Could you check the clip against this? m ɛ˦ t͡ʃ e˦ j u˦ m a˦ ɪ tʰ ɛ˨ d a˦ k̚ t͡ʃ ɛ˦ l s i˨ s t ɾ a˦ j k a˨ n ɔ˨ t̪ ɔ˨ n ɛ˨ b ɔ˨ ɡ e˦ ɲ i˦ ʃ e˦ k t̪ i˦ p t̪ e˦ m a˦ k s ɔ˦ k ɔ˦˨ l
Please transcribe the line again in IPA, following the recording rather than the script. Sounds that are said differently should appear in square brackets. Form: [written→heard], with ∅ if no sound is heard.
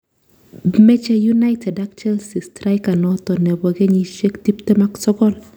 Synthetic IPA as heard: m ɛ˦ t͡ʃ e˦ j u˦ [m→n] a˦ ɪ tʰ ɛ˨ d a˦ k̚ t͡ʃ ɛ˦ l s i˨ s t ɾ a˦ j k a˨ n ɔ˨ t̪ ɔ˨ n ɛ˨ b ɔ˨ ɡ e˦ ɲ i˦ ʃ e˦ k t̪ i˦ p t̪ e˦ m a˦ k s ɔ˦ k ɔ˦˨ l